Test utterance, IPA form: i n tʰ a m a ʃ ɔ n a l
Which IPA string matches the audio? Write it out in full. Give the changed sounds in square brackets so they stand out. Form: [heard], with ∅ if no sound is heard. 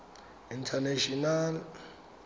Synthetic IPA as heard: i n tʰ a [n] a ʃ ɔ n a l